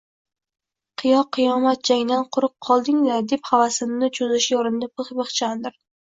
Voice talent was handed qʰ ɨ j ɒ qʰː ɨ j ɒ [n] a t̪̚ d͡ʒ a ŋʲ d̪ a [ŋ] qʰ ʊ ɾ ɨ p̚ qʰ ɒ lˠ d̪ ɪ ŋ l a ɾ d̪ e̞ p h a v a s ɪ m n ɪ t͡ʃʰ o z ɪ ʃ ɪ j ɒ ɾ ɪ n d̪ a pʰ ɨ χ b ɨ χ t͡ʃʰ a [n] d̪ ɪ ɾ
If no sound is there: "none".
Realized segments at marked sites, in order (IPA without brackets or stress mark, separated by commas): m, n, n